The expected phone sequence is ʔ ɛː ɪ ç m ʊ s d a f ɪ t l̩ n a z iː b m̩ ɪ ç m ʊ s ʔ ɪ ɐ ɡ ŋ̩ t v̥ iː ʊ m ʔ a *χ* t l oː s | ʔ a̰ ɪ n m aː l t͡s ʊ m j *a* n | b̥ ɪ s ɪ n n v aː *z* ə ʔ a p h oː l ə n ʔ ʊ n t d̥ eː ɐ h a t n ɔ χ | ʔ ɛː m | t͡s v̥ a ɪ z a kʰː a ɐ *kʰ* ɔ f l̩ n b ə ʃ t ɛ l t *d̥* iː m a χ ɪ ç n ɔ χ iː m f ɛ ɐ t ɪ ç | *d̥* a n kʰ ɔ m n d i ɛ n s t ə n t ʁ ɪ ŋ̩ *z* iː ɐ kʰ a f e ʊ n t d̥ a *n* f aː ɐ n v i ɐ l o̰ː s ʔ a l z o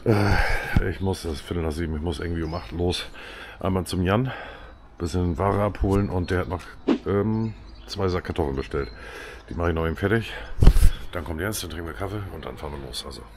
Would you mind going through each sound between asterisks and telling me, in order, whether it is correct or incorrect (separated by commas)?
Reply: correct, correct, incorrect, incorrect, correct, correct, incorrect, correct